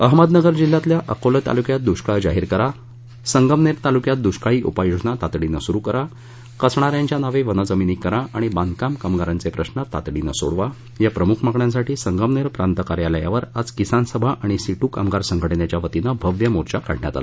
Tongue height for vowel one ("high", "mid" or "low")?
mid